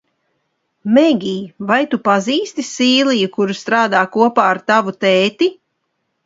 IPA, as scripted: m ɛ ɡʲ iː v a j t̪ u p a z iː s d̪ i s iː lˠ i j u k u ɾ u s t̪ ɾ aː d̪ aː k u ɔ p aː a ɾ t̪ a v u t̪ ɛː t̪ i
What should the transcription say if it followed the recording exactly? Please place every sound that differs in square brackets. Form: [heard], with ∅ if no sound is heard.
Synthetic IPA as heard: m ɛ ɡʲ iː v a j t̪ u p a z iː s [t̪] i s iː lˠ i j u k u ɾ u s t̪ ɾ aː d̪ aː k u ɔ p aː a ɾ t̪ a v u t̪ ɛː t̪ i